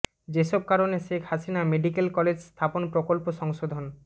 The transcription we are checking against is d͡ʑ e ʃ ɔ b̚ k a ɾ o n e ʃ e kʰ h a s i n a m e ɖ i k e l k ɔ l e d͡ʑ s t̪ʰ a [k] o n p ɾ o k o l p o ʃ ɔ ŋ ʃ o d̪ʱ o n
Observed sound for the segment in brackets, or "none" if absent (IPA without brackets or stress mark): p